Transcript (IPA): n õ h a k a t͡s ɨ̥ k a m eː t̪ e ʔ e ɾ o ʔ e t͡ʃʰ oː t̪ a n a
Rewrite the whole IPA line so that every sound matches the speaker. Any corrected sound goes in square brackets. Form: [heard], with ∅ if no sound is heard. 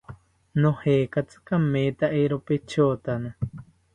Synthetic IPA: n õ h [e] k a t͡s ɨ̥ k a m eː t̪ [a] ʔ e ɾ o [p] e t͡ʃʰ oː t̪ a n a